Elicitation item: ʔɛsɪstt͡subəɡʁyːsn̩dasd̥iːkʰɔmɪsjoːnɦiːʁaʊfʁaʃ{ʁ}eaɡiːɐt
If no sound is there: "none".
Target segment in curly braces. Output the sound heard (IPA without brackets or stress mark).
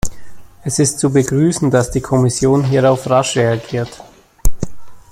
ʁ